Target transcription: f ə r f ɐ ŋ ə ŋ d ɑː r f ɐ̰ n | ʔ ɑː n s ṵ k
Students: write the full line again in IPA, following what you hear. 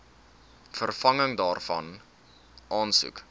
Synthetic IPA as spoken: f ə r f ɐ ŋ ə ŋ d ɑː r f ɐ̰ n | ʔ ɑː n s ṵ k